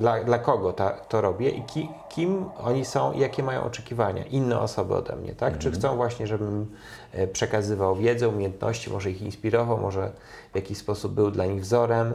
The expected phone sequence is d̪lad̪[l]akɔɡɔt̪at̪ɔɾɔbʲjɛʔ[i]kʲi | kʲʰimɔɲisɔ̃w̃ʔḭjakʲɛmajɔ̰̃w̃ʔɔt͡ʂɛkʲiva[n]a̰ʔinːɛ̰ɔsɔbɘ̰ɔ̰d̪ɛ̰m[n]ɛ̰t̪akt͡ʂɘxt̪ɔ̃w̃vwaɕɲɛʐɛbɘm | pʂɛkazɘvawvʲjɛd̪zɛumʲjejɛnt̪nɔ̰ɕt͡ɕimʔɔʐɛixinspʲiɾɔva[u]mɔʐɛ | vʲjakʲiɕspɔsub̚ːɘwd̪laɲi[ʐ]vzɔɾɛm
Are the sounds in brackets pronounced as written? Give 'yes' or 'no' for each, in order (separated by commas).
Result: yes, yes, no, no, no, no